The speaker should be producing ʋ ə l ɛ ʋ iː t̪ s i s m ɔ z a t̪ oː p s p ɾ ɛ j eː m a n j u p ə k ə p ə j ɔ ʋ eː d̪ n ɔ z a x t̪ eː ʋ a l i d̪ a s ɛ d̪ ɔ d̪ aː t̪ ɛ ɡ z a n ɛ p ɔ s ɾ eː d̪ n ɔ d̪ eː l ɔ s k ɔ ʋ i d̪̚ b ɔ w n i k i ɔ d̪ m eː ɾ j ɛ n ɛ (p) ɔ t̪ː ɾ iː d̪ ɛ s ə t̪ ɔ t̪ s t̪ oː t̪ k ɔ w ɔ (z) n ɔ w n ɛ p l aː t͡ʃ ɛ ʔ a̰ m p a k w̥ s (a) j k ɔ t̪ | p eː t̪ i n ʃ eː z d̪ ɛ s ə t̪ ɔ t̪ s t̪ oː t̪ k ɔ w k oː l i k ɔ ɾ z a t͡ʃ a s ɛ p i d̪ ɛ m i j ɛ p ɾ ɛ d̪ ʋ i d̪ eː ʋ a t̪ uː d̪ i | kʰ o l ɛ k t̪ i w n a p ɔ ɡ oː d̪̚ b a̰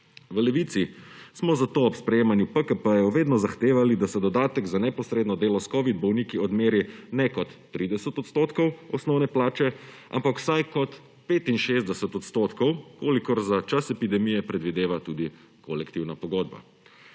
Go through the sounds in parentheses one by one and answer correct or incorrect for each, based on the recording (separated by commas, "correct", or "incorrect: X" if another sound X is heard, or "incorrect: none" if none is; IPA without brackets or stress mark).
incorrect: k, incorrect: s, correct